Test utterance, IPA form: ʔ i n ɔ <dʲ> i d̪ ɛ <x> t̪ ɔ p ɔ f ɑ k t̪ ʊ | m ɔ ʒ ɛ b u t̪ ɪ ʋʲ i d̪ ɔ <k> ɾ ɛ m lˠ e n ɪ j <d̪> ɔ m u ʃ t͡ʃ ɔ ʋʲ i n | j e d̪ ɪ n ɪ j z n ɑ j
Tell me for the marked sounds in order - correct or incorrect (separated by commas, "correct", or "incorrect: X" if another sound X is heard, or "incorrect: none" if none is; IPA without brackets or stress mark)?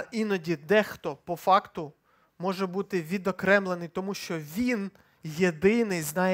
correct, correct, correct, incorrect: t̪